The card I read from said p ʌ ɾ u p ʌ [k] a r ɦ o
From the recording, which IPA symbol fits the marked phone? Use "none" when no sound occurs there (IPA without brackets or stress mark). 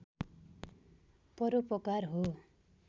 k